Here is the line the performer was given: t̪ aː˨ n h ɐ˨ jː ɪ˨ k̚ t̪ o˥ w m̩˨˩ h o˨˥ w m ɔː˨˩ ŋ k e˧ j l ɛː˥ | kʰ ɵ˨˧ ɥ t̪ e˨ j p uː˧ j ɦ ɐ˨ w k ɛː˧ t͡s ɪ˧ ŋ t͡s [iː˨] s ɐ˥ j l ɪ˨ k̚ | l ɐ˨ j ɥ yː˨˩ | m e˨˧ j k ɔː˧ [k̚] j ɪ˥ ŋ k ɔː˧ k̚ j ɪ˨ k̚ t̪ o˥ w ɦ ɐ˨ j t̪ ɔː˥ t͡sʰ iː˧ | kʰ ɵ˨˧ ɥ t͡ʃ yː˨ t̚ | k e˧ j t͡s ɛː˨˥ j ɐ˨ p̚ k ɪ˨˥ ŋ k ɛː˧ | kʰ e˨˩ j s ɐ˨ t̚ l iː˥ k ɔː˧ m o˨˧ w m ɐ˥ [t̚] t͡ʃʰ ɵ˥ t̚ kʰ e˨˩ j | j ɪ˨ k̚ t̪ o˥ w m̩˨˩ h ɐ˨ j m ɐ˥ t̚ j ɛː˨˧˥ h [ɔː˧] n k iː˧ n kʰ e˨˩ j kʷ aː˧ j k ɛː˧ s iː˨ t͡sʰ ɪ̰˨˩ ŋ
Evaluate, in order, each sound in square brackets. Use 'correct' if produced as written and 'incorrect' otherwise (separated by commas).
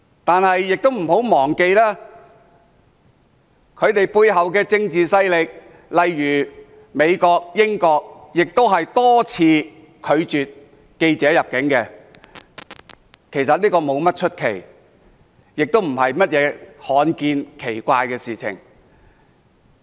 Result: correct, correct, correct, incorrect